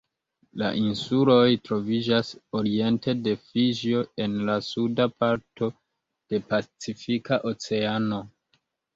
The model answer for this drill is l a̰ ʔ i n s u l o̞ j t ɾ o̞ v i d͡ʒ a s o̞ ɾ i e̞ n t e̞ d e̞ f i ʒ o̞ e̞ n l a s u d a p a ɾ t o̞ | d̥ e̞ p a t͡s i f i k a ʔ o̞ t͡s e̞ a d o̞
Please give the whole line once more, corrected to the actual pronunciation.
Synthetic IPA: l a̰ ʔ i n s u l o̞ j t ɾ o̞ v i d͡ʒ a s o̞ ɾ i e̞ n t e̞ d e̞ f i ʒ o̞ e̞ n l a s u d a p a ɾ t o̞ | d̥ e̞ p a t͡s i f i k a ʔ o̞ t͡s e̞ a n o̞